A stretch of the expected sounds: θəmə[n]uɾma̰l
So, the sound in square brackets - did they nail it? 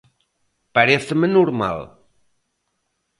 yes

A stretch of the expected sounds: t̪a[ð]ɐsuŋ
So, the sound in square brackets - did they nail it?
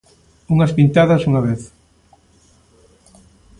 yes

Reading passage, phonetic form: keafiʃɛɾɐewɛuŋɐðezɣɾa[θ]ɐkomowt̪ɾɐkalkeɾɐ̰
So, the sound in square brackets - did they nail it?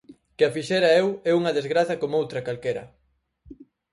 yes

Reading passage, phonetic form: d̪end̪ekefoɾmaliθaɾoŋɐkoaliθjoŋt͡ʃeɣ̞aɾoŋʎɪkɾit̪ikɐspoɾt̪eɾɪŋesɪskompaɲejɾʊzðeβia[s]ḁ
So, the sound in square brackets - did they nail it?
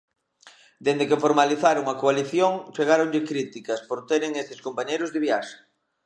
no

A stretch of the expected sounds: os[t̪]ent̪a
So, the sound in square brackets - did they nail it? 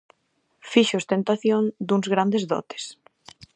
yes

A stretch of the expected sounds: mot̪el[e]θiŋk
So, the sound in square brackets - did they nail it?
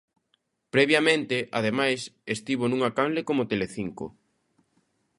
yes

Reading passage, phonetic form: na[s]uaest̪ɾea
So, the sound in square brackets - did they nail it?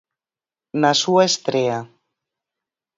yes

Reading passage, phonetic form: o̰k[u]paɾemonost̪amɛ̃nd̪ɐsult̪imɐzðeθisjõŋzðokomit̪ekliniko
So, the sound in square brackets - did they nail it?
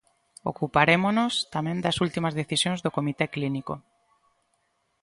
yes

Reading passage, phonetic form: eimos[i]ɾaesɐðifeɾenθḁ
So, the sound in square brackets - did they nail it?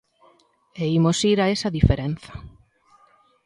yes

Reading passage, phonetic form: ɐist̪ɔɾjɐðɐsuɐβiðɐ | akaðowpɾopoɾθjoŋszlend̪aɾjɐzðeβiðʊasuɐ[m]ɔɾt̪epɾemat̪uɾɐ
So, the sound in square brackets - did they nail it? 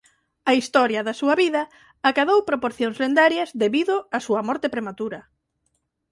yes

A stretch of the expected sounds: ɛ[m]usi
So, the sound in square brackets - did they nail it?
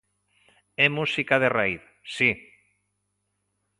yes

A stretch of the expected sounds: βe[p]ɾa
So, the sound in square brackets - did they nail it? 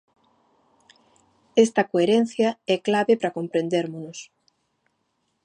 yes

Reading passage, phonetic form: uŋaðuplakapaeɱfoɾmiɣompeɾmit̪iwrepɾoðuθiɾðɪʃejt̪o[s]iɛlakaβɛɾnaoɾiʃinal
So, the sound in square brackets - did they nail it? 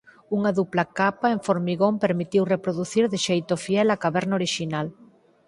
no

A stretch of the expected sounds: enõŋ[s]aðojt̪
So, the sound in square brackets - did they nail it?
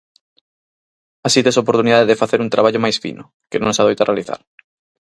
yes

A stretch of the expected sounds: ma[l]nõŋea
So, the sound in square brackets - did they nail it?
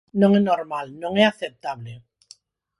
yes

